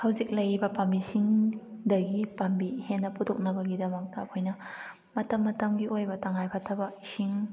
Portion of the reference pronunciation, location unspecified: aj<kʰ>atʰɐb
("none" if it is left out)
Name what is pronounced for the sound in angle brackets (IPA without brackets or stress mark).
pʰ